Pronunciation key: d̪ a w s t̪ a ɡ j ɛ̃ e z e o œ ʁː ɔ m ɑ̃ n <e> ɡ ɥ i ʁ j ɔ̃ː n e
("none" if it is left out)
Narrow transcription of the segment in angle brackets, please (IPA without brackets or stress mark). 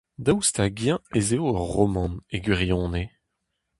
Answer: e